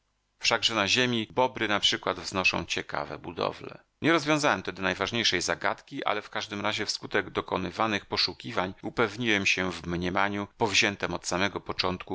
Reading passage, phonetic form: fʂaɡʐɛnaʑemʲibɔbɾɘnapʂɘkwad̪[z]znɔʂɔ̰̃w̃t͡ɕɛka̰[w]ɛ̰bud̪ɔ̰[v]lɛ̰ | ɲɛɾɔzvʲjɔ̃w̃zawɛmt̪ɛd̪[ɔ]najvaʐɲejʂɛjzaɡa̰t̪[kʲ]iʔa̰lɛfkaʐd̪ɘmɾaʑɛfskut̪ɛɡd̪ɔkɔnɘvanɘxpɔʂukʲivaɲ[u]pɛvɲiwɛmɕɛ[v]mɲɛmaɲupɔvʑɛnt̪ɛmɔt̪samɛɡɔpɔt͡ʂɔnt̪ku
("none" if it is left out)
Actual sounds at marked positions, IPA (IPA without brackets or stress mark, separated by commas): v, v, v, ɔ, kʲ, u, v